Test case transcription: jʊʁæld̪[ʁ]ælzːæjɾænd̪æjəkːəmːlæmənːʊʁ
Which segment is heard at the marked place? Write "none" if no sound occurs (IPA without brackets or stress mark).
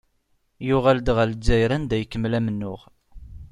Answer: ʁ